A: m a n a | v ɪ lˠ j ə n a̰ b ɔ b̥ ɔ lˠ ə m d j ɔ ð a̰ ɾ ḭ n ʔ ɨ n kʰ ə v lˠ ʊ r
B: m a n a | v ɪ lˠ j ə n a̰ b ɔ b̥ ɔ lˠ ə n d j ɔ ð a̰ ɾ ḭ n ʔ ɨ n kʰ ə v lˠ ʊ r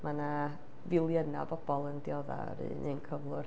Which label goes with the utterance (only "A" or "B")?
B